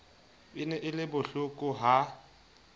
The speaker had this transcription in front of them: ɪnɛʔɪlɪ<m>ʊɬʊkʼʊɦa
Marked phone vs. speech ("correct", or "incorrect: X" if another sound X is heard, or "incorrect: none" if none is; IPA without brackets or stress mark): incorrect: b